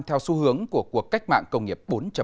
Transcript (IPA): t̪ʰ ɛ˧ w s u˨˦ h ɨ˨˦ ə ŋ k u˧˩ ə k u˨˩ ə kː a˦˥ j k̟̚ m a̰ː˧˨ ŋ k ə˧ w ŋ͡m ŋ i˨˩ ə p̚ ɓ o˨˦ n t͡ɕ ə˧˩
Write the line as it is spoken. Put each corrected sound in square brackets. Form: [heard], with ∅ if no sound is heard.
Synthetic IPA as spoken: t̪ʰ ɛ˧ w s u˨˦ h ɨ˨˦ ə ŋ k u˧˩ ə k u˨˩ ə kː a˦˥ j k̟̚ m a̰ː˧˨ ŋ k ə˧ w ŋ͡m ŋ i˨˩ ə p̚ ɓ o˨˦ n t͡ɕ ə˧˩